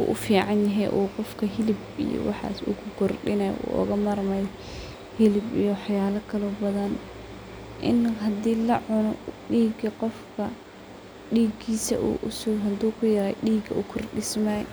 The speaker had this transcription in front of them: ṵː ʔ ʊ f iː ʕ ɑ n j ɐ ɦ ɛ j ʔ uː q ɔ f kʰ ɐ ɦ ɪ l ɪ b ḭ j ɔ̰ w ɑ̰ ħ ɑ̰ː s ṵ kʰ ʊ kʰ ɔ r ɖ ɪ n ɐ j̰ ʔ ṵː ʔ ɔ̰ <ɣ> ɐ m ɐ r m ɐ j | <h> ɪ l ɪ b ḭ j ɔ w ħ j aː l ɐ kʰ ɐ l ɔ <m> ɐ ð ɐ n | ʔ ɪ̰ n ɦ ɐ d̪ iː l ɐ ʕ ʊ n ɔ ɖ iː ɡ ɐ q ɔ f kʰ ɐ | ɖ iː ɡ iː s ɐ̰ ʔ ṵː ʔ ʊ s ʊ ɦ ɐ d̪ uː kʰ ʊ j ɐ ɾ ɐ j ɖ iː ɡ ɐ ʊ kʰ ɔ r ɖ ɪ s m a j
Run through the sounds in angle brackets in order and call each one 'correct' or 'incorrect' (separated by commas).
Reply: correct, correct, incorrect